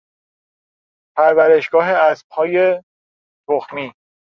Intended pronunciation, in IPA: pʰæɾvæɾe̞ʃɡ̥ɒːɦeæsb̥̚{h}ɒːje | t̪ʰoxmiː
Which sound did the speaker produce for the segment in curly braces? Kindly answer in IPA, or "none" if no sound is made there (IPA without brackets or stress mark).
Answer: h